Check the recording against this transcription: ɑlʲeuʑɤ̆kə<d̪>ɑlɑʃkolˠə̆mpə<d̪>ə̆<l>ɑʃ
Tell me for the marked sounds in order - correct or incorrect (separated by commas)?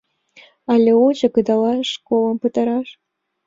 correct, incorrect, incorrect